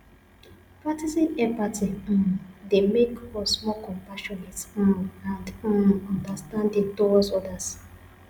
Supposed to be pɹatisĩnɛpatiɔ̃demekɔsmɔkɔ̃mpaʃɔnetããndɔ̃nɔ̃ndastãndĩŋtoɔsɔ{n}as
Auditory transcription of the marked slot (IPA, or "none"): d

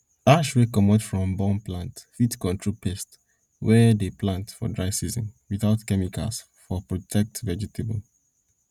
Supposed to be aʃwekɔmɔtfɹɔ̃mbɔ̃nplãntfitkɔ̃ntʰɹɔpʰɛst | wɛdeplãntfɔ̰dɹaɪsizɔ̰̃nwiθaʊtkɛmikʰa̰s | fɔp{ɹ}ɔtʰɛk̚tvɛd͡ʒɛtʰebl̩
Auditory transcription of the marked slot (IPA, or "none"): ɹ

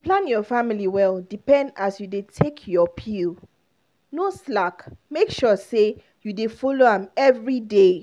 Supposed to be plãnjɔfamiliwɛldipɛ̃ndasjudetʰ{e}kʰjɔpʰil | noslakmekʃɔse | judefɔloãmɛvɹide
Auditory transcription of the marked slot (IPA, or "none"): e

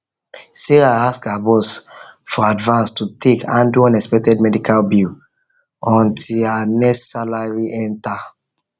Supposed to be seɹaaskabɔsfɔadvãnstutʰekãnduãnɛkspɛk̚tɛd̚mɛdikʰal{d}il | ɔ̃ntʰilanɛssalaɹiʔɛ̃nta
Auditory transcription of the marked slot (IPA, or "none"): b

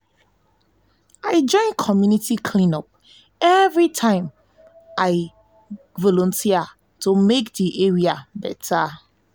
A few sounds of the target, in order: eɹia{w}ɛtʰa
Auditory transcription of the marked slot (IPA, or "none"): b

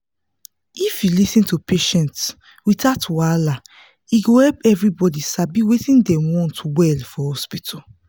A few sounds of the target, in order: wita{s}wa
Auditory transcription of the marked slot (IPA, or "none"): t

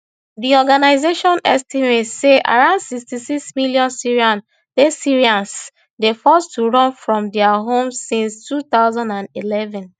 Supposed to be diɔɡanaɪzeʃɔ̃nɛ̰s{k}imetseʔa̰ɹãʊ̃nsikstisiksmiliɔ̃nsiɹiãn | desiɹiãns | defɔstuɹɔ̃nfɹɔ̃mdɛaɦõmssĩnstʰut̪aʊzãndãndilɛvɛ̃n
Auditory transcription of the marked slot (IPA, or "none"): t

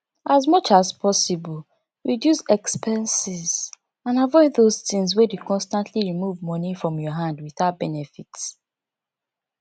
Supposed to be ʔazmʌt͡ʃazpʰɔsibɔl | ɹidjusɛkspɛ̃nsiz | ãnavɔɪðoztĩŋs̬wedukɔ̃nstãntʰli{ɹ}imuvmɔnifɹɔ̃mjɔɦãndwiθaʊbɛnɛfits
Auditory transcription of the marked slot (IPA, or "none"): ɹ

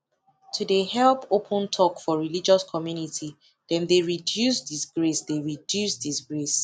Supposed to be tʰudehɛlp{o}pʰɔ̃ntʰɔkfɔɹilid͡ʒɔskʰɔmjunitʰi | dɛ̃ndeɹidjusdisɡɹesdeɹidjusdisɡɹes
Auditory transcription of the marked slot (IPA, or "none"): o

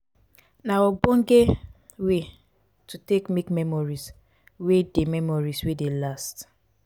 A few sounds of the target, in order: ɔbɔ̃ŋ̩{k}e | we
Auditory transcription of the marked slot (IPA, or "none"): ɡ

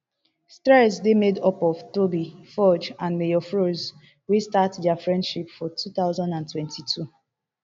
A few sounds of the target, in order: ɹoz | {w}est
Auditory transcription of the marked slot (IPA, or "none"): w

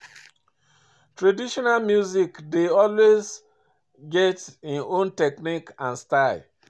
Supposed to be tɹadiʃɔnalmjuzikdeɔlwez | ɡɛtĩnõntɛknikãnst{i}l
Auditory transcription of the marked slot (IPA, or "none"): a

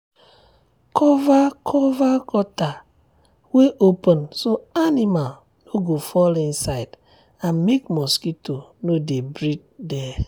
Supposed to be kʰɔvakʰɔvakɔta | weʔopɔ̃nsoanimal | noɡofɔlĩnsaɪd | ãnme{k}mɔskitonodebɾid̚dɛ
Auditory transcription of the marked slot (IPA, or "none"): k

